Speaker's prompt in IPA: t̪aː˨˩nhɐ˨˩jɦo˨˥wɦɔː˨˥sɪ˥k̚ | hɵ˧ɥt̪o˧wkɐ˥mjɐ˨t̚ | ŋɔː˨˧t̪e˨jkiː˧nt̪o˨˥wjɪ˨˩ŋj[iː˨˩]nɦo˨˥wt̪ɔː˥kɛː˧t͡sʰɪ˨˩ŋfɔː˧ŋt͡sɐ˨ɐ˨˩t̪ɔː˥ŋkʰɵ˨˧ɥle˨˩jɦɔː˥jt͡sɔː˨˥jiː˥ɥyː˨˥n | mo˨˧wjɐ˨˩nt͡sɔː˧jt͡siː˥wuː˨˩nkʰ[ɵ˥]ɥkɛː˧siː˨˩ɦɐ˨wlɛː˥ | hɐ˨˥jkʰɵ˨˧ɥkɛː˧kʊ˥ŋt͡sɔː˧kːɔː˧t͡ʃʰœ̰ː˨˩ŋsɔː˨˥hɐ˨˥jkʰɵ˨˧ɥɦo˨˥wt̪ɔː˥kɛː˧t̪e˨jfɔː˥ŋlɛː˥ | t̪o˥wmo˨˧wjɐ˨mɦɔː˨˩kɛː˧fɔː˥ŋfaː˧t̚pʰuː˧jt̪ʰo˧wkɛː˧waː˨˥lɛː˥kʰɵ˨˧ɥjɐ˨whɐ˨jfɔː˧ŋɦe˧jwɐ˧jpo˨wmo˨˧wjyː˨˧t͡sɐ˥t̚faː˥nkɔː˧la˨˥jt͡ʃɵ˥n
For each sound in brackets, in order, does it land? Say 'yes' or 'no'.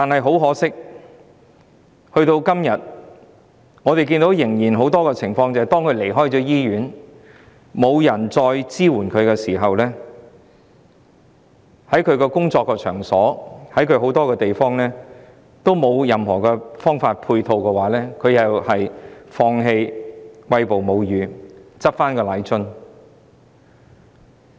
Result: yes, no

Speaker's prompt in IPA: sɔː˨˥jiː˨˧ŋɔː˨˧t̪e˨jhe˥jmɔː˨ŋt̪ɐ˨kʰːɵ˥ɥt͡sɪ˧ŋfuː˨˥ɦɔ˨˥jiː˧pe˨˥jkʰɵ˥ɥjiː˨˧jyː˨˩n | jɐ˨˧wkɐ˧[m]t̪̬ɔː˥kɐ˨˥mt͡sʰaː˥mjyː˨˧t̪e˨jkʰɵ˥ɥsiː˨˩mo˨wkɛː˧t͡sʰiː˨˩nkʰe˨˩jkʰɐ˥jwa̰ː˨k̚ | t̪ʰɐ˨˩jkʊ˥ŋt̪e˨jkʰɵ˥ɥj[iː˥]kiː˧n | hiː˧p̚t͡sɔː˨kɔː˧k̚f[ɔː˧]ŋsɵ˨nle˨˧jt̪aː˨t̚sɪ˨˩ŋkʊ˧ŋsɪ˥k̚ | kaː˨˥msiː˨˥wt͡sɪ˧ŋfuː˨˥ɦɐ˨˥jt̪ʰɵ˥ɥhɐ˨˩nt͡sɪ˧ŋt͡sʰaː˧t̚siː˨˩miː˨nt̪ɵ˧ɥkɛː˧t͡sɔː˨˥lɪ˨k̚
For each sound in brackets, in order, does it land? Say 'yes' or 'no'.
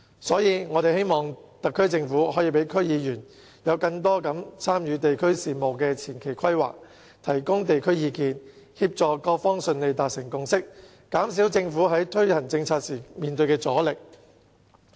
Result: no, no, no

